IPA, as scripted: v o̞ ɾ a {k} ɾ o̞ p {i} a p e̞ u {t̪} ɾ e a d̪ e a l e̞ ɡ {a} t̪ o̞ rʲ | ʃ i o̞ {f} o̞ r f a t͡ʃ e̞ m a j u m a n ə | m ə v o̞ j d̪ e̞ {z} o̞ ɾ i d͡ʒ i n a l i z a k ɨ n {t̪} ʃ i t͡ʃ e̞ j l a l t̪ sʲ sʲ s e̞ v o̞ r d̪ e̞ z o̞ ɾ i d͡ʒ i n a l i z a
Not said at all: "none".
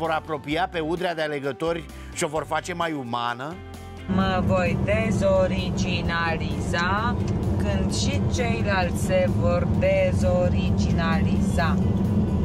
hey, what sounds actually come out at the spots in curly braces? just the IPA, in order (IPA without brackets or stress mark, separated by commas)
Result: p, i, d̪, ə, v, z, d̪